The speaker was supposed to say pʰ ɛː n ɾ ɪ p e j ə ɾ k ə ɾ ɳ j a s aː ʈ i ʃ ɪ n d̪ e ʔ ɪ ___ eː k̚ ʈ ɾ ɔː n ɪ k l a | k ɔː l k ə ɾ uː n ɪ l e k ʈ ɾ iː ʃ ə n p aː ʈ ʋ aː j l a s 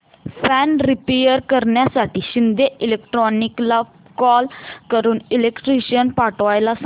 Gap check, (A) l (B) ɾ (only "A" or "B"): A